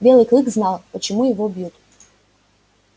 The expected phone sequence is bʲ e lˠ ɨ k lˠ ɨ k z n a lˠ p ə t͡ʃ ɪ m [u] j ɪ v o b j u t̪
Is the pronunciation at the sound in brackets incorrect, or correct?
correct